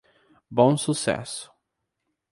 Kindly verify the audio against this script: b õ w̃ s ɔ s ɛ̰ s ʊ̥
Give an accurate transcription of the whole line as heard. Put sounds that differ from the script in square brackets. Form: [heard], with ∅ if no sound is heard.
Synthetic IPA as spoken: b õ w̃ s [u] s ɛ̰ s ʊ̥